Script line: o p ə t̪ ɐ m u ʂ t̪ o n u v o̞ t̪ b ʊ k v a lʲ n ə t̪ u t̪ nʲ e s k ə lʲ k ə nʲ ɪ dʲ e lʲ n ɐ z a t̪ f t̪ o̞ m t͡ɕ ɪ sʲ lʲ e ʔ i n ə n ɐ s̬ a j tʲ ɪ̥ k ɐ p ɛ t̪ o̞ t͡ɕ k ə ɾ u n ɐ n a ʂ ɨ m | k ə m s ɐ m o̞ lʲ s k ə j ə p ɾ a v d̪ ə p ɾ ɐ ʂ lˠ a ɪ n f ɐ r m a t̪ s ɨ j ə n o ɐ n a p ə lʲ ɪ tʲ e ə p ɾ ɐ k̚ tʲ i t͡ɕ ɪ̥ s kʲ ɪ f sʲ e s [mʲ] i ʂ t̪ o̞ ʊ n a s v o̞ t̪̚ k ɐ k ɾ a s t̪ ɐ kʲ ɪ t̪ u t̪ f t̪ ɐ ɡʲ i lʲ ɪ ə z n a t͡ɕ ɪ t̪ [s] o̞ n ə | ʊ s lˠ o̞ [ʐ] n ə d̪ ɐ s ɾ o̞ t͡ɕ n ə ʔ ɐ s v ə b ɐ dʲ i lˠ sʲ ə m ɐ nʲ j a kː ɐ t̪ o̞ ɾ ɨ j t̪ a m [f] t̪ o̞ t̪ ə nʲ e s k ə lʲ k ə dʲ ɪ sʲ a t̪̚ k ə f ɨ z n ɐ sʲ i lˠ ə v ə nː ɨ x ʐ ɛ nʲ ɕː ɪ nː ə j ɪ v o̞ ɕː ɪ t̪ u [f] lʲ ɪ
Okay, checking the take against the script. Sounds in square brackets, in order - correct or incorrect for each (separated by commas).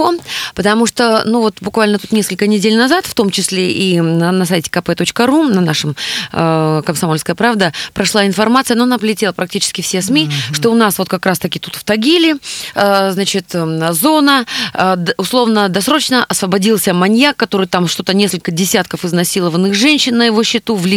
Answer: correct, incorrect, incorrect, incorrect, incorrect